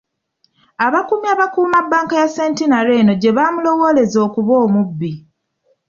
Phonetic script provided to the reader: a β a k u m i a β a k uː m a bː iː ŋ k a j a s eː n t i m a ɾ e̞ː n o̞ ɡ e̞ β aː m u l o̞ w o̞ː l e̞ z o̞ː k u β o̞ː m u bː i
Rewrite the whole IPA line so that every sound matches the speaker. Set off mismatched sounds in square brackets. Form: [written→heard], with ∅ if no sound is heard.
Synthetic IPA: a β a k u m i a β a k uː m a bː [iː→aː] ŋ k a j a s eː n t i [m→n] a ɾ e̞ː n o̞ [ɡ→ɟ] e̞ β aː m u l o̞ w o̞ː l e̞ z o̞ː k u β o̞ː m u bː i